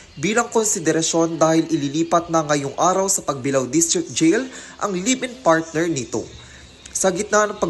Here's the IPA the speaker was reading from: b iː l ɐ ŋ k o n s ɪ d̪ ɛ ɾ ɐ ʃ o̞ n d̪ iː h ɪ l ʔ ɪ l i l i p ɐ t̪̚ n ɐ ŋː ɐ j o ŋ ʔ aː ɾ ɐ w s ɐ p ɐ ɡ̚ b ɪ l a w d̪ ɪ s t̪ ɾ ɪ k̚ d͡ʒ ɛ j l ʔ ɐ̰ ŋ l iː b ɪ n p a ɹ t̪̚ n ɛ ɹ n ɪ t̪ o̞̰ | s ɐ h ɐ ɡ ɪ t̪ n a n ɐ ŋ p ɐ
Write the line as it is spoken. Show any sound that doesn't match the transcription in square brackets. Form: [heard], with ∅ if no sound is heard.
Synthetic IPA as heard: b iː l ɐ ŋ k o n s ɪ d̪ ɛ ɾ ɐ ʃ o̞ n d̪ [aː] h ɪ l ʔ ɪ l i l [iː] p ɐ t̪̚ n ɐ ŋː ɐ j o ŋ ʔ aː ɾ ɐ w s ɐ p ɐ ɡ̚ b ɪ l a w d̪ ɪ s t̪ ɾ ɪ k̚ d͡ʒ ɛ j l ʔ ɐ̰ ŋ l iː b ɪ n p a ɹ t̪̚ n ɛ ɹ n ɪ t̪ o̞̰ | s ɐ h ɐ ɡ ɪ t̪ n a n ɐ ŋ p ɐ